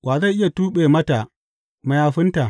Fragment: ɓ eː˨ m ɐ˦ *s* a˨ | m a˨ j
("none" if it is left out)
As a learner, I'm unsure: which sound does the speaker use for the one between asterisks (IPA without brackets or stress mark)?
t